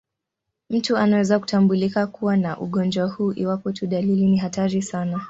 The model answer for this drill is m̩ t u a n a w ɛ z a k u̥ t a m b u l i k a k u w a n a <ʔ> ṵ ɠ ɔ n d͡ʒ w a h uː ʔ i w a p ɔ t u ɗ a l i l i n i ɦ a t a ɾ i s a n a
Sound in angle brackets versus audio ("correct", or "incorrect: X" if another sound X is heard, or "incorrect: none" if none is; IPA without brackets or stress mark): correct